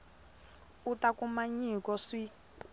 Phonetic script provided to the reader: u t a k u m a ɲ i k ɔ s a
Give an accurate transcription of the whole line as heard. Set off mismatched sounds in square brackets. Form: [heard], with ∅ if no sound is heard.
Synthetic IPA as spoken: u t a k u m a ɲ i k ɔ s [i]